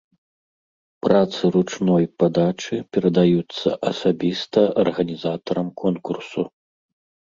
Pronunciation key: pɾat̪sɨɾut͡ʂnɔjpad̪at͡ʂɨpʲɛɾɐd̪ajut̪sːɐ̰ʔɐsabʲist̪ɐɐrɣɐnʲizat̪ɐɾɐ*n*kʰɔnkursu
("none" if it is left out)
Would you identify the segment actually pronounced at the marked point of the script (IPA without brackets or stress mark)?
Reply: m